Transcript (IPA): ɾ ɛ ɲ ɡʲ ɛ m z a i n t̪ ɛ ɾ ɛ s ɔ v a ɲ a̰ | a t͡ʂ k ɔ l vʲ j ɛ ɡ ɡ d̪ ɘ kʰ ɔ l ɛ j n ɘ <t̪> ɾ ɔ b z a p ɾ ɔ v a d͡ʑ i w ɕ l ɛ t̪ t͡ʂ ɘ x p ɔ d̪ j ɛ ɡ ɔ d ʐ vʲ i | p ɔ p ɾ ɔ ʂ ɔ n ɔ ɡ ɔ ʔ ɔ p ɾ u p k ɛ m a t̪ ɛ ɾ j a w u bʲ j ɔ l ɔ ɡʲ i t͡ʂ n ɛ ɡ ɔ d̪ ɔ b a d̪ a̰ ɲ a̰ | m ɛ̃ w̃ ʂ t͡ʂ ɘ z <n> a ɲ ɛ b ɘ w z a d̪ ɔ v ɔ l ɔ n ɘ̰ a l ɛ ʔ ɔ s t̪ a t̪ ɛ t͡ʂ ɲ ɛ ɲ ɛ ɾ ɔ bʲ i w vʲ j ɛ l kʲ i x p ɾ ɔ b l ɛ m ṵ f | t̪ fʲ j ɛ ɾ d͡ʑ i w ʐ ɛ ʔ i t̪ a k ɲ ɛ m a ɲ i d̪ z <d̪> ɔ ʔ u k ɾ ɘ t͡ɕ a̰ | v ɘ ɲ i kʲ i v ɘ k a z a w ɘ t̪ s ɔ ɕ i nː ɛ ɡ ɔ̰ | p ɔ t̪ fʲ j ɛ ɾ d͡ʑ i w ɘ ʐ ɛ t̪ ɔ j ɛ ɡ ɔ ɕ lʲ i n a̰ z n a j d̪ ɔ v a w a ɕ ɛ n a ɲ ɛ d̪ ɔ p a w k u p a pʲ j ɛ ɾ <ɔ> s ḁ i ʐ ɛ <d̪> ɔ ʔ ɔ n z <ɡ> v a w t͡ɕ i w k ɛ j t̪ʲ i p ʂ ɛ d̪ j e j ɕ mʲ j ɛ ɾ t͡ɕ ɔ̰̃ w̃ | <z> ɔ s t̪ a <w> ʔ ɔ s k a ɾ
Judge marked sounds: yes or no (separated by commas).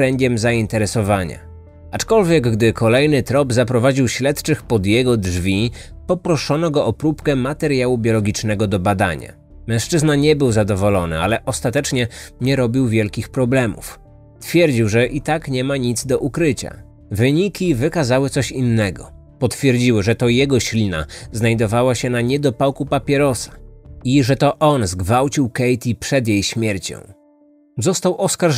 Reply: yes, yes, yes, yes, no, yes, yes, yes